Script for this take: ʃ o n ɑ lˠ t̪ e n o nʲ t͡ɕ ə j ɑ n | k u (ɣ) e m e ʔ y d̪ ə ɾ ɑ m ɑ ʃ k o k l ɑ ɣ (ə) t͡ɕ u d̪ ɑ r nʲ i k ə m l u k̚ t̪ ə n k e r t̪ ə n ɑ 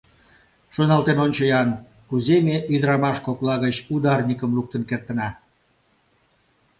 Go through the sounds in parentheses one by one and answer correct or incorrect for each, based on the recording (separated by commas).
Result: incorrect, correct